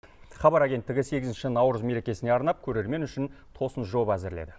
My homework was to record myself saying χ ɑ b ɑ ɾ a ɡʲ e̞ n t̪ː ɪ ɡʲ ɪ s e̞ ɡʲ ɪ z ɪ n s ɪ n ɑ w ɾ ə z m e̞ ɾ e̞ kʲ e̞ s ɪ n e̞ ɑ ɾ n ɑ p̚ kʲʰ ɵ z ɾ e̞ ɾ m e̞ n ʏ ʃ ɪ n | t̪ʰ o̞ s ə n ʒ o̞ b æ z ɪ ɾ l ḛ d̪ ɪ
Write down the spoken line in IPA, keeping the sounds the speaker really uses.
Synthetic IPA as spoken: χ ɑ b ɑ ɾ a ɡʲ e̞ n t̪ː ɪ ɡʲ ɪ s e̞ ɡʲ ɪ z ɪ n ʃ ɪ n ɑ w ɾ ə z m e̞ ɾ e̞ kʲ e̞ s ɪ n e̞ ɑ ɾ n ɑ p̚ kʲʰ ɵ ɾ e̞ ɾ m e̞ n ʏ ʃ ɪ n | t̪ʰ o̞ s ə n ʒ o̞ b æ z ɪ ɾ l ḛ d̪ ɪ